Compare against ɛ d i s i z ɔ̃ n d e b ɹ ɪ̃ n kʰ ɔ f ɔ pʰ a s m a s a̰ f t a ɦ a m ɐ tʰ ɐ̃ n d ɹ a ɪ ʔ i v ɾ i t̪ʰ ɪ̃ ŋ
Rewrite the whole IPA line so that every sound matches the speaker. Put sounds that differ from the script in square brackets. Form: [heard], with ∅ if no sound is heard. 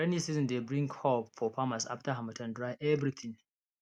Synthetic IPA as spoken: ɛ [n] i s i z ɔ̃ n d e b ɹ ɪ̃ [ŋ] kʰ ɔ f ɔ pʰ a [∅] m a s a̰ f t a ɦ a m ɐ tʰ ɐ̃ n d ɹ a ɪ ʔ [ɛ] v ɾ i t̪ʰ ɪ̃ ŋ